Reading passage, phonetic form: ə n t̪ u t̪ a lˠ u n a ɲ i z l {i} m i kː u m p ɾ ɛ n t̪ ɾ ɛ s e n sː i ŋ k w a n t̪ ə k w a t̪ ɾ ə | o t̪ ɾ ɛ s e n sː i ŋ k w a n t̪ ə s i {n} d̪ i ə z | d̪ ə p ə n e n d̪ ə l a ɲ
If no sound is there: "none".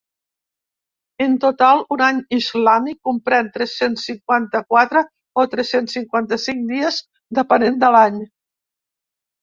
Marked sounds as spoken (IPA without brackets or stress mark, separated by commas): a, ŋ